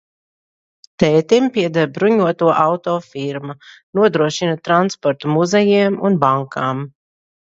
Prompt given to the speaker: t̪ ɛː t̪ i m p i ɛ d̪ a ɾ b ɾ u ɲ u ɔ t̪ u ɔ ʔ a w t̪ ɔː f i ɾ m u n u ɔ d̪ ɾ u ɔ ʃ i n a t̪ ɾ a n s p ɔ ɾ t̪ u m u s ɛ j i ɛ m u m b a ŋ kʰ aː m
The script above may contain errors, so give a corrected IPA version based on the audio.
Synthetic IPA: t̪ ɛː t̪ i m p i ɛ d̪ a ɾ b ɾ u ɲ u ɔ t̪ u ɔ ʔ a w t̪ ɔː f i ɾ m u n u ɔ d̪ ɾ u ɔ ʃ i n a t̪ ɾ a n s p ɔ ɾ t̪ u m u z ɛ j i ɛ m u n b a ŋ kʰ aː m